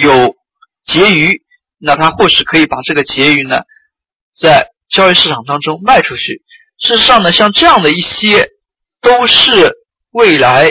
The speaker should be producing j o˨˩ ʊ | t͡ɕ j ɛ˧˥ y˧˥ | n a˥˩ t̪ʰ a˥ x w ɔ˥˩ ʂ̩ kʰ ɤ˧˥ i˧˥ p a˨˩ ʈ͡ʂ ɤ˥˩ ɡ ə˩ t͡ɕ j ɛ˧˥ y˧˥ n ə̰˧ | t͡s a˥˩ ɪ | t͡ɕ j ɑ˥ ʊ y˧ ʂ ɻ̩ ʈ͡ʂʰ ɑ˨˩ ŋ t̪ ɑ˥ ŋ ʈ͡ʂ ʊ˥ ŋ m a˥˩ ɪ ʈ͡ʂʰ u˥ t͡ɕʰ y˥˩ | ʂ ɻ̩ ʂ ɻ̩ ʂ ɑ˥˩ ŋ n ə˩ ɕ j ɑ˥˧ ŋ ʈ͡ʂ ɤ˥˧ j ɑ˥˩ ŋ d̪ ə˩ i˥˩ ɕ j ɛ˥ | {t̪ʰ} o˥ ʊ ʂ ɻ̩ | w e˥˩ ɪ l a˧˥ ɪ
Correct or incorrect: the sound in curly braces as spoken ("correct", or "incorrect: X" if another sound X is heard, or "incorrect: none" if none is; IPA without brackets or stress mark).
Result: incorrect: t̪